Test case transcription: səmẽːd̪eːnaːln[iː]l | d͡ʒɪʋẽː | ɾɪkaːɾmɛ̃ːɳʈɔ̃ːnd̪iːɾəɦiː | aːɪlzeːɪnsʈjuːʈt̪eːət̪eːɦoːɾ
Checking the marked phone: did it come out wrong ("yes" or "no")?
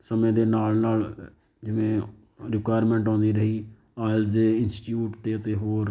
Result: yes